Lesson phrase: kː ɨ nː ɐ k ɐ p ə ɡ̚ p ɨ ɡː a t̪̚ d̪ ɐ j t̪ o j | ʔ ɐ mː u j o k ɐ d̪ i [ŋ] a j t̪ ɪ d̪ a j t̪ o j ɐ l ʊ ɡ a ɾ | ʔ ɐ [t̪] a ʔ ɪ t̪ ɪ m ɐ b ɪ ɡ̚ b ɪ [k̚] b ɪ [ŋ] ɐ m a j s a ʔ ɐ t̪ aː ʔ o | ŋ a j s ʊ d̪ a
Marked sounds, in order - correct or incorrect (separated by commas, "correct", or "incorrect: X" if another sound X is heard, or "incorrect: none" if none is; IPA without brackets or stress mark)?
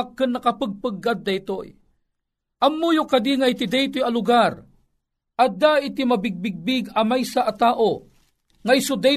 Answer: correct, incorrect: d̪, incorrect: ɡ̚, incorrect: ɡ